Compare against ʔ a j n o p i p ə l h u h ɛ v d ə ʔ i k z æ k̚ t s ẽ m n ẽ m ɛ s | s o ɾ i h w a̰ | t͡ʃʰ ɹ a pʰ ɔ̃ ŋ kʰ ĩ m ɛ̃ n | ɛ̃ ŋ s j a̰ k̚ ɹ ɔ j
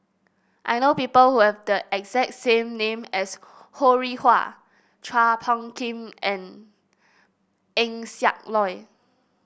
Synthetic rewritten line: ʔ a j n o p i p ə l h u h ɛ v d ə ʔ ɛ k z ɛ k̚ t s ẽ m n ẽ m ɛ s | h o ɹ i h w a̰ | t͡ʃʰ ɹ a pʰ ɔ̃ ŋ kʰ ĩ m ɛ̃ n | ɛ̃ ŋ s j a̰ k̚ l ɔ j